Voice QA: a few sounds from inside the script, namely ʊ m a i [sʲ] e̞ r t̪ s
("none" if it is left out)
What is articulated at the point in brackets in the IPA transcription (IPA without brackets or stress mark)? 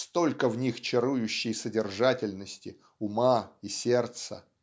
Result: sʲ